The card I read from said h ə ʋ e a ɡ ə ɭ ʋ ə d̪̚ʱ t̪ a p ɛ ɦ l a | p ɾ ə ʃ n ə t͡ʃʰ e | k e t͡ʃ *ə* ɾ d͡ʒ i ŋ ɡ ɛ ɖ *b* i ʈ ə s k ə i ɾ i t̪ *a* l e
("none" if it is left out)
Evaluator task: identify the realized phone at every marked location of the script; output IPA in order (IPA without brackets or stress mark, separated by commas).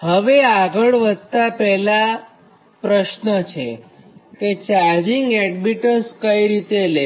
a, b, e